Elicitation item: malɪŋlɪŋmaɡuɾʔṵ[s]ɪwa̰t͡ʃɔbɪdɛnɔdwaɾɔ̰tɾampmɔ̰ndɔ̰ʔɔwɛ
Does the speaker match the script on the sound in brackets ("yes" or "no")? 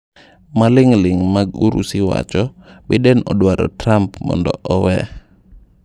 yes